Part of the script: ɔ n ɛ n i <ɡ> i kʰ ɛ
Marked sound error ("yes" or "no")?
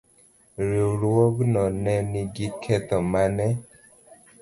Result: no